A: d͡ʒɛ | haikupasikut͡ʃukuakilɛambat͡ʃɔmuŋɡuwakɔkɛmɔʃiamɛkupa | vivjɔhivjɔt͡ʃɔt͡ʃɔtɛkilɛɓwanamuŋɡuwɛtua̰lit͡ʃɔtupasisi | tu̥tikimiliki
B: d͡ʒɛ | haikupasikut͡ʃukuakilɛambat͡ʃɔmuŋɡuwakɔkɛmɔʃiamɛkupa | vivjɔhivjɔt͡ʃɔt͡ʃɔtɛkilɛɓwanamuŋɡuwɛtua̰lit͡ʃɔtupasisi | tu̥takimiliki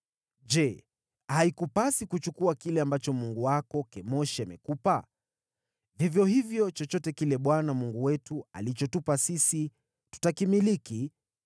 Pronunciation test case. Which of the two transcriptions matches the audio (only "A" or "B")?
B